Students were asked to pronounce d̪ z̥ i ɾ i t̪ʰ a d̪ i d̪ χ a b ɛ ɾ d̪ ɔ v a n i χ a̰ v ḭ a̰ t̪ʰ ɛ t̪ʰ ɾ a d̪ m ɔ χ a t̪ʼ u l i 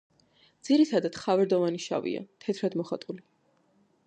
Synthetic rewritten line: d̪ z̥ i ɾ i t̪ʰ a d̪ a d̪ χ a v ɛ ɾ d̪ ɔ v a n i ʃ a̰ v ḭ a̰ t̪ʰ ɛ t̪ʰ ɾ a d̪ m ɔ χ a t̪ʼ u l i